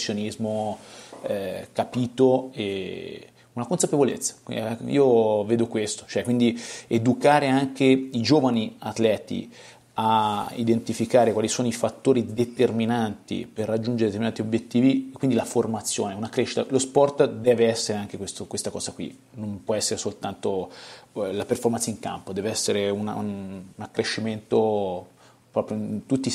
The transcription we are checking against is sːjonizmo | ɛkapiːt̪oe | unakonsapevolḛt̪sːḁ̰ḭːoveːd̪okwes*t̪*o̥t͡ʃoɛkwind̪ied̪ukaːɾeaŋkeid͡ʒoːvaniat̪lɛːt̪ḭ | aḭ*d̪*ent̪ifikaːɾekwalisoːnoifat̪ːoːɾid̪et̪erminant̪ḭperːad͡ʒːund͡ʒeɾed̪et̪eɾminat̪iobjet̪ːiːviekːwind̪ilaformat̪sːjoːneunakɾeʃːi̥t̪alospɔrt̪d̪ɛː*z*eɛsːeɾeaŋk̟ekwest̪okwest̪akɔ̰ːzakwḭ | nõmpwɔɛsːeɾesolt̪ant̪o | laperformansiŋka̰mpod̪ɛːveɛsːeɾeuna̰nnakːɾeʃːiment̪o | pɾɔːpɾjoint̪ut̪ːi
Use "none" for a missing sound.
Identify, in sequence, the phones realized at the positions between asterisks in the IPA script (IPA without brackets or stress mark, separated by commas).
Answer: t̪, d̪, v